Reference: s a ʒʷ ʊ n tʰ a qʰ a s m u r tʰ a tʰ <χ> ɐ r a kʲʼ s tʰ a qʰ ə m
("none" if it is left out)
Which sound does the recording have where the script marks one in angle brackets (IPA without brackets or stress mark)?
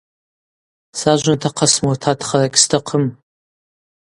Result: χ